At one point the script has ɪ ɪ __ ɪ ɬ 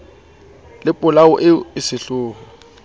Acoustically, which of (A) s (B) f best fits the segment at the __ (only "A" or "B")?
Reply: A